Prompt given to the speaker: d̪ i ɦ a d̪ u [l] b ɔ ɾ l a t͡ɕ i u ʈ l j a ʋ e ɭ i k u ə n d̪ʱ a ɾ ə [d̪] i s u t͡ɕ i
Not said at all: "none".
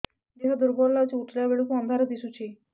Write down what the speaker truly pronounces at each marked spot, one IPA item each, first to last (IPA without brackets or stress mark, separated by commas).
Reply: ɾ, d̪